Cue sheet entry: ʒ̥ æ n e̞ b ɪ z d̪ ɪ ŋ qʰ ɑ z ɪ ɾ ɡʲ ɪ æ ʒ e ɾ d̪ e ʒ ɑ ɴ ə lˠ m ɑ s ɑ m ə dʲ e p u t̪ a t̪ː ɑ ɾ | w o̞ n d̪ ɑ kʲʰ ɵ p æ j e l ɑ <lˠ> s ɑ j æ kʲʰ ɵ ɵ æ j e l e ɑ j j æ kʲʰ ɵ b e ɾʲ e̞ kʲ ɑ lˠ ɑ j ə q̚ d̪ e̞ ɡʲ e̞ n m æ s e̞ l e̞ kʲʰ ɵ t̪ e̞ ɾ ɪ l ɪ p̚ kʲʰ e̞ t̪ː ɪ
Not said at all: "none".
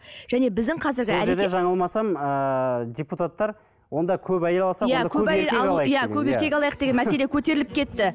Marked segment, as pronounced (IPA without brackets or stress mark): lˠ